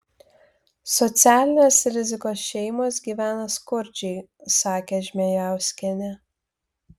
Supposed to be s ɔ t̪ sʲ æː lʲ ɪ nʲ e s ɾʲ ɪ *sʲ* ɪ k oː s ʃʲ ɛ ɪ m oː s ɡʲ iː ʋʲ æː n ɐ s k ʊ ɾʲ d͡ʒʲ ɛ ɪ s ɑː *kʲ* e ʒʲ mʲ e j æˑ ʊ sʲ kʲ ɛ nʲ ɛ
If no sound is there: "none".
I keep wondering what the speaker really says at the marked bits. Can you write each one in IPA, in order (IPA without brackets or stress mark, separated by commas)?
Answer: zʲ, kʲ